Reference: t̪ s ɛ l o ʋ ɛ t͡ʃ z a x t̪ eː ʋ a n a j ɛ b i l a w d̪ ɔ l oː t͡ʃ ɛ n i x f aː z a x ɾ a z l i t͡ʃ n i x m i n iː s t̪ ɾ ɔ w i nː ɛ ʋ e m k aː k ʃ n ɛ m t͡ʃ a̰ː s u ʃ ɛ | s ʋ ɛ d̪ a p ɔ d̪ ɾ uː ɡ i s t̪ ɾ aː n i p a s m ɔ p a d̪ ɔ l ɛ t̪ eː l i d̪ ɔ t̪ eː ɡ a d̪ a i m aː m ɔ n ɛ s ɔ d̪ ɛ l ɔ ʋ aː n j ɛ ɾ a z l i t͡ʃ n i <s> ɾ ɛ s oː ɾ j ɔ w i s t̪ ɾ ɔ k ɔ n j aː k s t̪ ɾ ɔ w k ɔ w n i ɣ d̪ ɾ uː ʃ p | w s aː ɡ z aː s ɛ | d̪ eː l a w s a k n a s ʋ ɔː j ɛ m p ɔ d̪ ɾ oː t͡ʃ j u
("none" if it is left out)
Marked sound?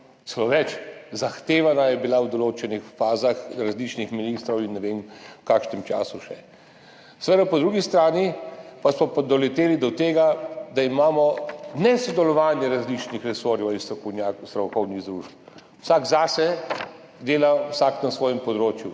x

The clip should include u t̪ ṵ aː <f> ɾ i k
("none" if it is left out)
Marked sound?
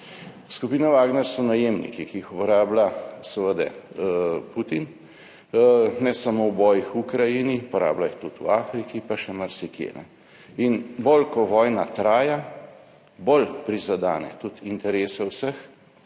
f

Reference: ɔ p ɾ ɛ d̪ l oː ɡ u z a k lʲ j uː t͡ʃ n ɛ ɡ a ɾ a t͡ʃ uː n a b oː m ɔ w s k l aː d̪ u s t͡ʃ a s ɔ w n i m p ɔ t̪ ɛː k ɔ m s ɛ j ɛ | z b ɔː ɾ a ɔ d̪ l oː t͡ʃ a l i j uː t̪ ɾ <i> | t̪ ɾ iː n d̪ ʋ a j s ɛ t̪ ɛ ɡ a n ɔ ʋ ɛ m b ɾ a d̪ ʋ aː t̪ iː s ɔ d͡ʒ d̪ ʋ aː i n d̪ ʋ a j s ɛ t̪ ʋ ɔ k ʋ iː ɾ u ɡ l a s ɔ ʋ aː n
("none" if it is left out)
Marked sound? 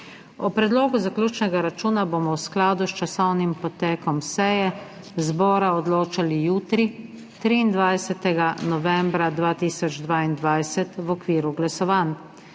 i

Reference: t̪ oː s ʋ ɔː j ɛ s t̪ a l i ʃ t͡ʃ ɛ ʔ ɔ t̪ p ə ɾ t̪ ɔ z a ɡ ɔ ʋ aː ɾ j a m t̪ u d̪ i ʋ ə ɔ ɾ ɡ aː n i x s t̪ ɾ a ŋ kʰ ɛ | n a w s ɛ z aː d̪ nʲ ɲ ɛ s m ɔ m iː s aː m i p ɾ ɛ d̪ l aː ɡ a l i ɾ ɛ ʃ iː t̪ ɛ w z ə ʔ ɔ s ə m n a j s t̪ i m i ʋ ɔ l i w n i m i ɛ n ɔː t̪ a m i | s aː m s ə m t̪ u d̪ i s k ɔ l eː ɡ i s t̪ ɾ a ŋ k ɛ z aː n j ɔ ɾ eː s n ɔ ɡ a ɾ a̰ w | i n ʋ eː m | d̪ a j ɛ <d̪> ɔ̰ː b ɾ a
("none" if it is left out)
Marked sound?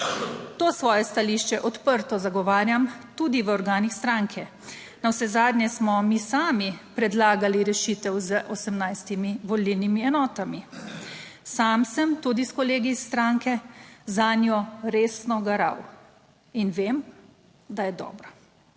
d̪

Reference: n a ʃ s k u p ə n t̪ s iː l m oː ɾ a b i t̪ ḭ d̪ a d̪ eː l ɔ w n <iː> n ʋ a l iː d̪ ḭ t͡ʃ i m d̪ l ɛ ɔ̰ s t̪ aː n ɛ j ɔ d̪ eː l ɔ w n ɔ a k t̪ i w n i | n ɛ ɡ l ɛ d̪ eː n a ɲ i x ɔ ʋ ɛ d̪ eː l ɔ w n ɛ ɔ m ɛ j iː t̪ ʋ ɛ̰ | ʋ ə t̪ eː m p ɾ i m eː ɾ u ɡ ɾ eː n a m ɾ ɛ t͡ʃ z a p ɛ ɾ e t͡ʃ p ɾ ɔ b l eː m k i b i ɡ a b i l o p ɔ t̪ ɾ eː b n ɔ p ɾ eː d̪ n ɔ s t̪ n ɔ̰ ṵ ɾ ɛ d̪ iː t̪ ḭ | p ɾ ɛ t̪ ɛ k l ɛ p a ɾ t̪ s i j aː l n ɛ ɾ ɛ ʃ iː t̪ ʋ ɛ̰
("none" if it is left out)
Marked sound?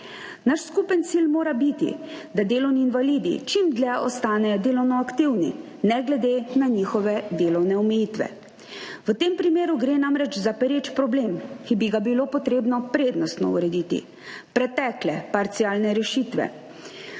iː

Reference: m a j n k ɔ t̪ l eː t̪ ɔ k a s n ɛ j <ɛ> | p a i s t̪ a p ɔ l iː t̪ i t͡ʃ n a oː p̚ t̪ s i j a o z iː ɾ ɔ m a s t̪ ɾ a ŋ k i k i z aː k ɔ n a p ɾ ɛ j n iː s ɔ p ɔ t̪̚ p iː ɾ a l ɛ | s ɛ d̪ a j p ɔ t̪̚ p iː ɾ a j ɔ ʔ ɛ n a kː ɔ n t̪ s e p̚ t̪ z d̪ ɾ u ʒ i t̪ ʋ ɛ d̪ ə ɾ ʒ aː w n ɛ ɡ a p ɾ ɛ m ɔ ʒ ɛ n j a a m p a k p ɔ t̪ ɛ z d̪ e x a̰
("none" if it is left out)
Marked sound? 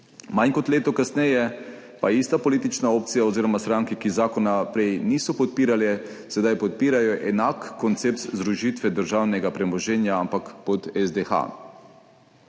ɛ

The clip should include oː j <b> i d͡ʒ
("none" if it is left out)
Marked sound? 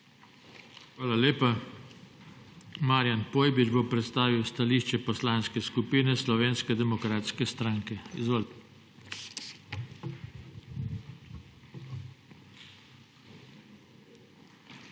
b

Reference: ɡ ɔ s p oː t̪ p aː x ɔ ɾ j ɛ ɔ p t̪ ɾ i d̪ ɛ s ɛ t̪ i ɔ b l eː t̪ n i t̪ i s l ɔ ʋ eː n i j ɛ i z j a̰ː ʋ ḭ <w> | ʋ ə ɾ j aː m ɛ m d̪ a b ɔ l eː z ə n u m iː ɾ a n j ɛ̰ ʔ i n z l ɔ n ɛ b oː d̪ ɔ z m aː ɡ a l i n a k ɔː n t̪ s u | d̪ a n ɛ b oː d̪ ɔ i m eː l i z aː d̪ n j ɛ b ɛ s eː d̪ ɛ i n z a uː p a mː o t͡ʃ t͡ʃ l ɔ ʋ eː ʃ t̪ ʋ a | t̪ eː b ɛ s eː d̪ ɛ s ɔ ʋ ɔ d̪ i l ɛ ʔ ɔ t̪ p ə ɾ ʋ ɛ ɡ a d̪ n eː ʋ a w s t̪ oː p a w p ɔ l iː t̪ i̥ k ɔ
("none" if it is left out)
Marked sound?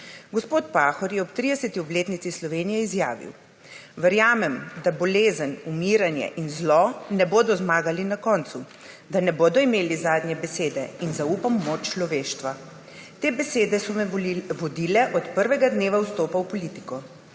w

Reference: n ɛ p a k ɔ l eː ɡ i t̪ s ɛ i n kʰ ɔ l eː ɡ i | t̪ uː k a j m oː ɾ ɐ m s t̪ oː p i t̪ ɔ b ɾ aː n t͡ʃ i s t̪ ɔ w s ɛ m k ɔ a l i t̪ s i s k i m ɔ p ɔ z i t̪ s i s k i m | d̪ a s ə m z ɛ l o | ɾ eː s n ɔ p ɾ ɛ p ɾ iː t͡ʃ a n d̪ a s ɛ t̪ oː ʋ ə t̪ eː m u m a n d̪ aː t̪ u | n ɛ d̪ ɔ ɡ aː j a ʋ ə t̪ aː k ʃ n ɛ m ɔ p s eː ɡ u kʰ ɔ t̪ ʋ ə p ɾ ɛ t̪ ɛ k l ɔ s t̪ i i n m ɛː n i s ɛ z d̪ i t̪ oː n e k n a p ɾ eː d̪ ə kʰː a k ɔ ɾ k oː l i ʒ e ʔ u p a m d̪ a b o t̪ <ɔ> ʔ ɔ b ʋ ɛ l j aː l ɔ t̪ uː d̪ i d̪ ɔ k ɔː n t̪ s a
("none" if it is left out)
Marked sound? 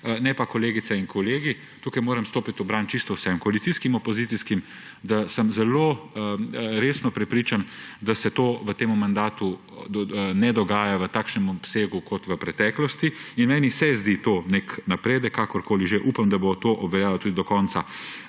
o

